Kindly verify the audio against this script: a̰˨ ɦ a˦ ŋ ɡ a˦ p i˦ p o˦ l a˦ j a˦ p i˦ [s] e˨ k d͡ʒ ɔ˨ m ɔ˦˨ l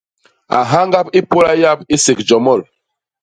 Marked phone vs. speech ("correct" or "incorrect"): correct